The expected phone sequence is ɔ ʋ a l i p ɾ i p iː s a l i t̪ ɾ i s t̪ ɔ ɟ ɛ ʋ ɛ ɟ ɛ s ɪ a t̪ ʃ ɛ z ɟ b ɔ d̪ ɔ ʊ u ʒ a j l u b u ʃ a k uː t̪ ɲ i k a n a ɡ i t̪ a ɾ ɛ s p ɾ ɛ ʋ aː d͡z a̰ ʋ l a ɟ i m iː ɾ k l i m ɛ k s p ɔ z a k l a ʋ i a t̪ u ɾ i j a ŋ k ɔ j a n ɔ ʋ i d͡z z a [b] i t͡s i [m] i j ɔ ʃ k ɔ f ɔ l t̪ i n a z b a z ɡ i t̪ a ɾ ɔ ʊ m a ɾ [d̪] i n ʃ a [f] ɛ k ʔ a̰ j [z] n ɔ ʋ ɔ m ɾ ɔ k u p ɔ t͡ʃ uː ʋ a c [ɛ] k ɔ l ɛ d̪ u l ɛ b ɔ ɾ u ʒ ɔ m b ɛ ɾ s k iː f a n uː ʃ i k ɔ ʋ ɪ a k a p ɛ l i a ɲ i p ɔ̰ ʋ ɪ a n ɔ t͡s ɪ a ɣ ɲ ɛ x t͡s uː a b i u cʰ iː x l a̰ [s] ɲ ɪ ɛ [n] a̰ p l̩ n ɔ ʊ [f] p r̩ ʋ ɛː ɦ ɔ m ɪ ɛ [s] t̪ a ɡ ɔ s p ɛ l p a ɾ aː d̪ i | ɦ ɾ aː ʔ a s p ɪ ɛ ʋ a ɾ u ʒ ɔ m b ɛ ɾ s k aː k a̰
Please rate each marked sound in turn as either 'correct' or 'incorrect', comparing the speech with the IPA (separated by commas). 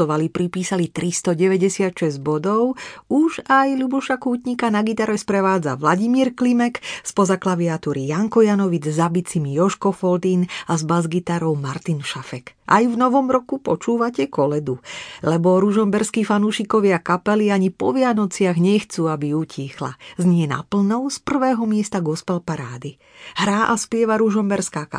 correct, correct, incorrect, correct, incorrect, correct, incorrect, correct, incorrect, correct